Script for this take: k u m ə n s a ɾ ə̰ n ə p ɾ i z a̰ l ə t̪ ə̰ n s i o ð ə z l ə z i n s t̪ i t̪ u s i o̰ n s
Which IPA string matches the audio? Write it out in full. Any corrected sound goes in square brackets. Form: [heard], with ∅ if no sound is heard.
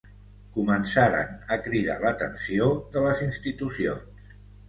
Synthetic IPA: k u m ə n s a ɾ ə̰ n ə [k] ɾ i [ð] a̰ l ə t̪ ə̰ n s i o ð ə [∅] l ə z i n s t̪ i t̪ u s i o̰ n s